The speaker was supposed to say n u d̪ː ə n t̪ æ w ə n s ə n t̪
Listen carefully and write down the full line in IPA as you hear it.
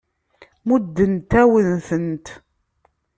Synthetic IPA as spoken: m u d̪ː ə n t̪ æ w ə n θ ə n t̪